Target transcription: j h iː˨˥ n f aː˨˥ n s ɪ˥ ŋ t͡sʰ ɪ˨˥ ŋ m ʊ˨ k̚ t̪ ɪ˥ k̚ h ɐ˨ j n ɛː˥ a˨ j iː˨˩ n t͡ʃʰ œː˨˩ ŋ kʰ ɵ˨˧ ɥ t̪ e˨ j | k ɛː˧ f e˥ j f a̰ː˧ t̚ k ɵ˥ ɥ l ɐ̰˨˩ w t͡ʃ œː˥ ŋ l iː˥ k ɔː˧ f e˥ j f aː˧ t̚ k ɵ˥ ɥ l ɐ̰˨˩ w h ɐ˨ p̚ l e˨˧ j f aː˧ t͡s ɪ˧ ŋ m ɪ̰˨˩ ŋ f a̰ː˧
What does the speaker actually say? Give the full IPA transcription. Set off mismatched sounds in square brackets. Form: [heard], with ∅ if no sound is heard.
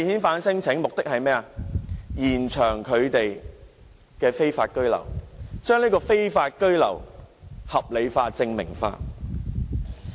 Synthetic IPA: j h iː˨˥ n f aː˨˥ n s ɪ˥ ŋ t͡sʰ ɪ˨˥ ŋ m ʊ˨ k̚ t̪ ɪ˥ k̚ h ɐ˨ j [m] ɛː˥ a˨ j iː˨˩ n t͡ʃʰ œː˨˩ ŋ kʰ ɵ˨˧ ɥ t̪ e˨ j | k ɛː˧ f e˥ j f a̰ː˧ t̚ k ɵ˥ ɥ l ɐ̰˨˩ w t͡ʃ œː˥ ŋ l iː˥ k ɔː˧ f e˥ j f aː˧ t̚ k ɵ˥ ɥ l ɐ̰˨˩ w h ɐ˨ p̚ l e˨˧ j f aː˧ t͡s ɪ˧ ŋ m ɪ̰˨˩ ŋ f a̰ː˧